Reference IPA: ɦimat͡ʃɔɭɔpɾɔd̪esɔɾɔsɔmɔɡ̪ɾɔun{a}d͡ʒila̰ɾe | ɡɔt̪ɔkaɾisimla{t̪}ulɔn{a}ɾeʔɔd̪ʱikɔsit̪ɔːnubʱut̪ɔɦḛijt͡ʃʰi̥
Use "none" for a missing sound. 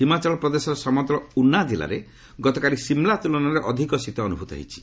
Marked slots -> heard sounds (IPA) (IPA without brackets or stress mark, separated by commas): a, t̪, a